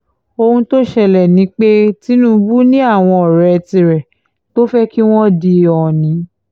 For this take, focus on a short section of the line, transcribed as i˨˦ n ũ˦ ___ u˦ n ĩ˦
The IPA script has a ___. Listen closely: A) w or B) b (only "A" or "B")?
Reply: B